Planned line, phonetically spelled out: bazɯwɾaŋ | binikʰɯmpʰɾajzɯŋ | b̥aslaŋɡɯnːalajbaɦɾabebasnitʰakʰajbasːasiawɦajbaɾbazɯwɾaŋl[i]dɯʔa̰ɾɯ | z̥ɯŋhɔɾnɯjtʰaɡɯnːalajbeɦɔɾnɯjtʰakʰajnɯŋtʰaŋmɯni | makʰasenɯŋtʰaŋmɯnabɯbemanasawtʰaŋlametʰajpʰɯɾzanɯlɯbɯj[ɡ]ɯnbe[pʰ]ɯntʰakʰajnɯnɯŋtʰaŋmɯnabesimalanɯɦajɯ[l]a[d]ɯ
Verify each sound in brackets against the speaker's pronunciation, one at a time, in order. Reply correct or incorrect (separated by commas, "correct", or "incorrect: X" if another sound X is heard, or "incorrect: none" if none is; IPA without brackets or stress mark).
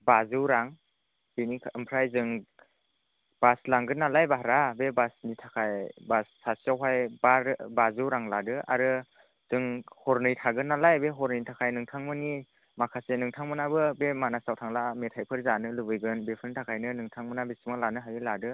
incorrect: a, correct, correct, correct, correct